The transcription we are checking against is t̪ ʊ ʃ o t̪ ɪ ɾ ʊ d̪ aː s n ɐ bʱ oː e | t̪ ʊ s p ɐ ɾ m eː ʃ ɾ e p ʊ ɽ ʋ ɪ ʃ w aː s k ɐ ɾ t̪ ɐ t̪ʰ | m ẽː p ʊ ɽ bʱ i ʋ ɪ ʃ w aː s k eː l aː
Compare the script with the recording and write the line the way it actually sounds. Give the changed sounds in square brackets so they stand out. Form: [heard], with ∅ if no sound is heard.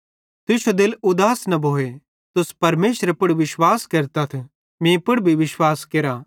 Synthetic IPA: t̪ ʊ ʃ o [d̪] ɪ [l] ʊ d̪ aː s n ɐ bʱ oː e | t̪ ʊ s p ɐ ɾ m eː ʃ ɾ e p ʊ ɽ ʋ ɪ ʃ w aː s k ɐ ɾ t̪ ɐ t̪ʰ | m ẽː p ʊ ɽ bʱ i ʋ ɪ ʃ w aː s k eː [ɾ] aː